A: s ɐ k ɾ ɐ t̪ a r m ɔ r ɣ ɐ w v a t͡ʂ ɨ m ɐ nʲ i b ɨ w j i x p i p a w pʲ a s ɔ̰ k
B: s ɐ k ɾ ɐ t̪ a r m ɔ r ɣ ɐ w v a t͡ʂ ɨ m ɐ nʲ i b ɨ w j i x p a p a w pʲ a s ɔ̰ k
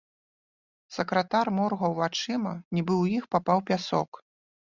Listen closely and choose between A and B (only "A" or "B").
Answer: B